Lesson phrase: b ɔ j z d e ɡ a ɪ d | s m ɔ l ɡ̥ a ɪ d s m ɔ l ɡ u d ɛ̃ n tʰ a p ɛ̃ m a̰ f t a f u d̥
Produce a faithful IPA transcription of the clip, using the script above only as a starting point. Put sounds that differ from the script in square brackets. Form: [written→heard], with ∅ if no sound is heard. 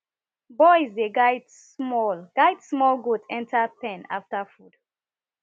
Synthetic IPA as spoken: b ɔ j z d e ɡ a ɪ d | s m ɔ l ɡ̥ a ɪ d s m ɔ l ɡ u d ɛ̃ n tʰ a p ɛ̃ [m→n] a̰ f t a f u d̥